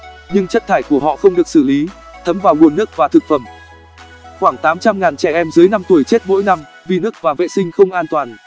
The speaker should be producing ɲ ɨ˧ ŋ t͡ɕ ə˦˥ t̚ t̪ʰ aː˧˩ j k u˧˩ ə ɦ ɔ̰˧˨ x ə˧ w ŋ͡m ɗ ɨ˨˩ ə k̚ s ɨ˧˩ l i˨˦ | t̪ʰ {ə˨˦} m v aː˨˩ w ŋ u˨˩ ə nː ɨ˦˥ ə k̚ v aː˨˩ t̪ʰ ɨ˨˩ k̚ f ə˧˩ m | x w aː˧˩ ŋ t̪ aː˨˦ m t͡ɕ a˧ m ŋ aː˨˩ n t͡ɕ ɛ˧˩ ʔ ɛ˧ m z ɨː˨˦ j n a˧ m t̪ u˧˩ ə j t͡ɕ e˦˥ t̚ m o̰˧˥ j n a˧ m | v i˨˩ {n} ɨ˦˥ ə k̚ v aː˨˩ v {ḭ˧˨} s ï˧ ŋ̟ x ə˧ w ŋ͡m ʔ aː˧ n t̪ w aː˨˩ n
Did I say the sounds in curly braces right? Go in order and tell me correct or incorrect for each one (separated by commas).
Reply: correct, correct, incorrect